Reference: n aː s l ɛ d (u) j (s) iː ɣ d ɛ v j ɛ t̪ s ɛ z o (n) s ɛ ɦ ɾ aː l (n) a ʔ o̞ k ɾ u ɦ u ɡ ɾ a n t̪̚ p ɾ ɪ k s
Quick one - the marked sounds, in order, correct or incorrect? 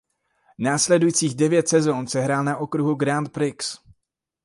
correct, incorrect: t͡s, correct, correct

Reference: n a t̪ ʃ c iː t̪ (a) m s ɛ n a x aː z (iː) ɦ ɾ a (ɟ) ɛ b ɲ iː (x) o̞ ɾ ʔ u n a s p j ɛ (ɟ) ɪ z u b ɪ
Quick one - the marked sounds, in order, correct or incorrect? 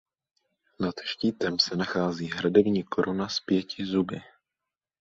incorrect: ɛ, correct, incorrect: d, incorrect: k, incorrect: c

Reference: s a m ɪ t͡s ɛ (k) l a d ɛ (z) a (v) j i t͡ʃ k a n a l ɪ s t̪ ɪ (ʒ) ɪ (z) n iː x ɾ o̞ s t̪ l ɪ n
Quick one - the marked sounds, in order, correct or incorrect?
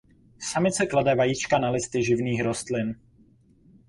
correct, incorrect: v, incorrect: none, correct, incorrect: v

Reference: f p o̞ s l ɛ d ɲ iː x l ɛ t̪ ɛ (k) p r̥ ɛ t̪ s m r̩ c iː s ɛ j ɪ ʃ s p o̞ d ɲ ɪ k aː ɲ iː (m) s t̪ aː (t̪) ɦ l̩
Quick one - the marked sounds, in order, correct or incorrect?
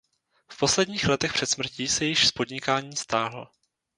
incorrect: x, incorrect: none, incorrect: none

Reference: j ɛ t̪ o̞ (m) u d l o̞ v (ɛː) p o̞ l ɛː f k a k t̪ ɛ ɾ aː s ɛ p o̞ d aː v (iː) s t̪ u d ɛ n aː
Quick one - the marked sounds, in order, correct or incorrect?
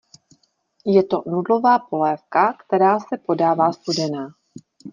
incorrect: n, incorrect: aː, incorrect: aː

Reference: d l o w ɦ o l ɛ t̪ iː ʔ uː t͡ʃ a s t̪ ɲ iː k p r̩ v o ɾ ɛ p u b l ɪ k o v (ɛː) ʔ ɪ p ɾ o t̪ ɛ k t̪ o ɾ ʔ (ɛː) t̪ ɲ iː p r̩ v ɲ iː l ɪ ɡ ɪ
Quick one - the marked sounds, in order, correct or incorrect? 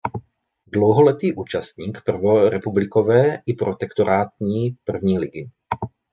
correct, incorrect: aː

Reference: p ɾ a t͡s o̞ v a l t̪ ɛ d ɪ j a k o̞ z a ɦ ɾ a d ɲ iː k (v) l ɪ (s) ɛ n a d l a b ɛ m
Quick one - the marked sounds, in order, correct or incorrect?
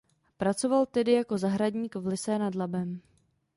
correct, correct

